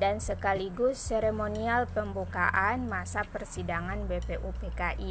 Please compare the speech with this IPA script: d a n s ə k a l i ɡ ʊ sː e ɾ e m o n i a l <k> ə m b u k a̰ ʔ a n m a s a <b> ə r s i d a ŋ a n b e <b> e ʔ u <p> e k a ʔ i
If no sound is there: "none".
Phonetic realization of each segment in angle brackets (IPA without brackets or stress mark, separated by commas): p, p, p, p